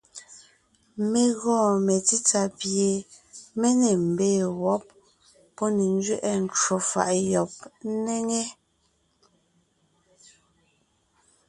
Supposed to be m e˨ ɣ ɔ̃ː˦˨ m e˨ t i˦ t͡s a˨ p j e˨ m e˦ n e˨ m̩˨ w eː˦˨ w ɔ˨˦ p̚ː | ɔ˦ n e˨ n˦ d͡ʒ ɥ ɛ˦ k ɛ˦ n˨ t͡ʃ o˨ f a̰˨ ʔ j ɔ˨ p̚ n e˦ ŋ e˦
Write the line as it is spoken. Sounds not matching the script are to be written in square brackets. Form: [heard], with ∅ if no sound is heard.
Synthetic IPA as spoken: m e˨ ɣ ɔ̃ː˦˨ m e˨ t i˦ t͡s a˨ p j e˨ m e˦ n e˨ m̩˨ [b] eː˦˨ w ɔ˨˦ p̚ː | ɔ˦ n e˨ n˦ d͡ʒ ɥ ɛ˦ [ʔ] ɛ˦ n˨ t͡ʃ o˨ f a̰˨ ʔ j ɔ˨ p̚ n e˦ ŋ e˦